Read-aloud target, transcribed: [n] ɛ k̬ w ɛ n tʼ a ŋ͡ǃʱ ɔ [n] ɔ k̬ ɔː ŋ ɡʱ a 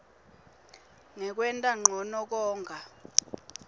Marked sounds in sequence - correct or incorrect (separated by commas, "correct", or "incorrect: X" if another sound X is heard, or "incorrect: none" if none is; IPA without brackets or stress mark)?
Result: incorrect: ŋ, correct